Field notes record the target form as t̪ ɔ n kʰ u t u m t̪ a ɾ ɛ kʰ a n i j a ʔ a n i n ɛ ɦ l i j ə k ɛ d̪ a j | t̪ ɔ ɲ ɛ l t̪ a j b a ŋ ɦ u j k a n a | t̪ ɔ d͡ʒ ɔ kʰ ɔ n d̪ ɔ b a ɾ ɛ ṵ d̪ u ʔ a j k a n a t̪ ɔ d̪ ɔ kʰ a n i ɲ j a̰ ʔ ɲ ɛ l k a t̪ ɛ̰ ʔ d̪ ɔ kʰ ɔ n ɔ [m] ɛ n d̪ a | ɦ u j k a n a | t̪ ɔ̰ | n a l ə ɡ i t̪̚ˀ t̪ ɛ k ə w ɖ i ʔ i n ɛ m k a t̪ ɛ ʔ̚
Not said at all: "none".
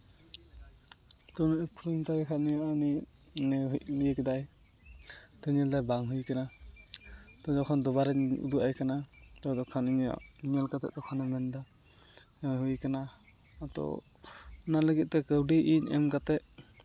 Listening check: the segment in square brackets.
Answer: m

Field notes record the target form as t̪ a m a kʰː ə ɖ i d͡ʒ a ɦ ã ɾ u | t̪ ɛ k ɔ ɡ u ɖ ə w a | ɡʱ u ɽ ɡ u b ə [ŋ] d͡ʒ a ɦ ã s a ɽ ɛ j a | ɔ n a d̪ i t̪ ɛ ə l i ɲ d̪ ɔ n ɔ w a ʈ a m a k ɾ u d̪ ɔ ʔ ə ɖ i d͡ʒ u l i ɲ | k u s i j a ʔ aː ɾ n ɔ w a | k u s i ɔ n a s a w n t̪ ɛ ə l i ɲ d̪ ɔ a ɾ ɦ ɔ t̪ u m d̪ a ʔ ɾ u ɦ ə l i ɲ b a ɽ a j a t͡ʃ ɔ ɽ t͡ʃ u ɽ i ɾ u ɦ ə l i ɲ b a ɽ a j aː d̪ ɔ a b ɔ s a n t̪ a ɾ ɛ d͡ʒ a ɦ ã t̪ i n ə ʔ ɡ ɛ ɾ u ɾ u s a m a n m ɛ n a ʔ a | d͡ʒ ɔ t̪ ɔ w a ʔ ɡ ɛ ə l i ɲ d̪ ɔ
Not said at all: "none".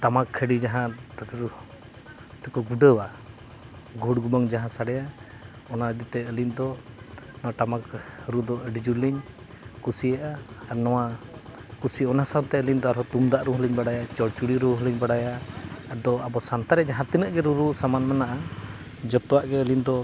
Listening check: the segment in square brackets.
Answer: ŋ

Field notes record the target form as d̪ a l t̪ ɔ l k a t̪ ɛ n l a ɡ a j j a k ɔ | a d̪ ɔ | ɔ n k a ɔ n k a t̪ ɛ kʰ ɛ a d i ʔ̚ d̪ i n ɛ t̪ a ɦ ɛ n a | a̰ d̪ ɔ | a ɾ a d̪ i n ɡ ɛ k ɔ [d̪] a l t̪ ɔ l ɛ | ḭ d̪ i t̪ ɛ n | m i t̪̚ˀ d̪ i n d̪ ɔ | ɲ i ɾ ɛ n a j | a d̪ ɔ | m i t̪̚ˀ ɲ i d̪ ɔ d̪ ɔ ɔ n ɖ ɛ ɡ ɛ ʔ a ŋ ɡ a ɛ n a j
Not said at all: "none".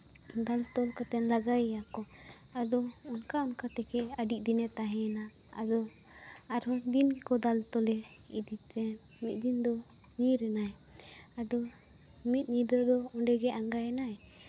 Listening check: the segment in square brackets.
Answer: d̪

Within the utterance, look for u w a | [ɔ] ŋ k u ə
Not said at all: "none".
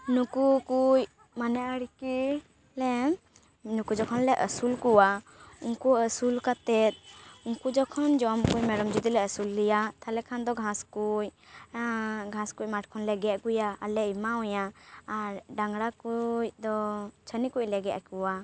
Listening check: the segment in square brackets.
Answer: u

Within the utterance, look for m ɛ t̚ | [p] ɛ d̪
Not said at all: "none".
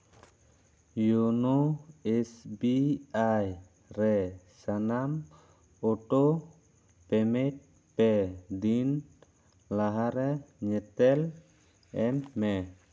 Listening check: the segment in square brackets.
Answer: p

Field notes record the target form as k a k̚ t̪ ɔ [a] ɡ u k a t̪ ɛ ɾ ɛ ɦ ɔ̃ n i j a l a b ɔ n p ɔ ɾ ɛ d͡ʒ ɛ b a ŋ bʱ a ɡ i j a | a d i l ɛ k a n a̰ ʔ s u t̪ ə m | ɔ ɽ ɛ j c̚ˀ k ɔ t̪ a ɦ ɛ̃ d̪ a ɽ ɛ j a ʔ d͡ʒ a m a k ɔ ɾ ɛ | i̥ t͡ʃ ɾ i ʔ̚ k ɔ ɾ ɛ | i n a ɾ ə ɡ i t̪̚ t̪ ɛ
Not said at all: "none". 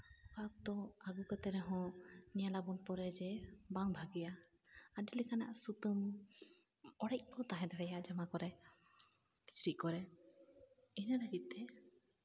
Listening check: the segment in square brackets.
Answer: a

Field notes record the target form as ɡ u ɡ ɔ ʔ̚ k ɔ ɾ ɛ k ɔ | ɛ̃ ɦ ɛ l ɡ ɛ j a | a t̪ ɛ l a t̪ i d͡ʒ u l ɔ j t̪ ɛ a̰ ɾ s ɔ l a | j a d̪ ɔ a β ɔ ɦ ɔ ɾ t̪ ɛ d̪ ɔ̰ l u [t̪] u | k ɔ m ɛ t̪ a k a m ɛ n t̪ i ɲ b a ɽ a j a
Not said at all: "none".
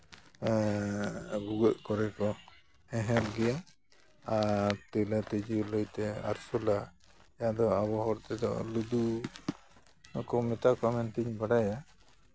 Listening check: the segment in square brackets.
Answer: d̪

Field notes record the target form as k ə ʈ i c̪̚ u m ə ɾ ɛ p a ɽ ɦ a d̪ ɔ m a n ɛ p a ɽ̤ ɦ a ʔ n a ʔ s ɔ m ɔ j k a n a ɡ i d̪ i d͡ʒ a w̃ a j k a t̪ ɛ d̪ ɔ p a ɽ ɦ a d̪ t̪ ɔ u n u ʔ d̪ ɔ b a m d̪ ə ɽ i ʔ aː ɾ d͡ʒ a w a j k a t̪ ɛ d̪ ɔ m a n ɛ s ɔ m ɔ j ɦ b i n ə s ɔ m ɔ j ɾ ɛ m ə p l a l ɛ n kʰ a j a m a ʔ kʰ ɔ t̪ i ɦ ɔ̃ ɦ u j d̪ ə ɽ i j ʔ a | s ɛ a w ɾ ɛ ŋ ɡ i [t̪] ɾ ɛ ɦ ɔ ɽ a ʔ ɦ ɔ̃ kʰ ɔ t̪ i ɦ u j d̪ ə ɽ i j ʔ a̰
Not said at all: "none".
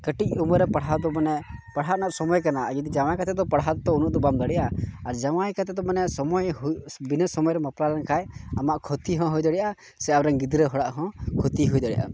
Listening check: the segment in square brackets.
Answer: d̪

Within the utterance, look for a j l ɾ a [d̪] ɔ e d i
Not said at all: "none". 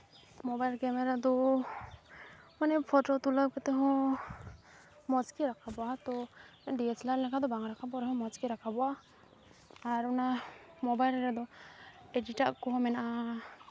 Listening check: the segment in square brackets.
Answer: d̪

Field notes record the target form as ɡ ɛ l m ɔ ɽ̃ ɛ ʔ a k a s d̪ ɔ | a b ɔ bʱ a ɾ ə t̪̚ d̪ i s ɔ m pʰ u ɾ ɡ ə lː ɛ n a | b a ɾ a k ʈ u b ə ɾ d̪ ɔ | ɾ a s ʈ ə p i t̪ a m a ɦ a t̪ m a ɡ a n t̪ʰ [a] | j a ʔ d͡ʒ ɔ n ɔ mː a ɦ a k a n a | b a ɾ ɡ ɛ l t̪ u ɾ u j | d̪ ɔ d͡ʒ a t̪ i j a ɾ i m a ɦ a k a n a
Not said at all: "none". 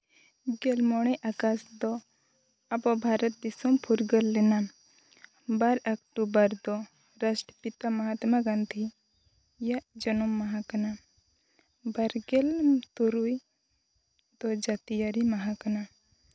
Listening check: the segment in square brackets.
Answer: i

